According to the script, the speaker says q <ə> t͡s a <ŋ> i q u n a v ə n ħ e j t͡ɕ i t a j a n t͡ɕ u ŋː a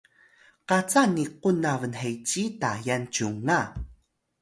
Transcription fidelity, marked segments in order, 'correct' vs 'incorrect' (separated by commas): incorrect, incorrect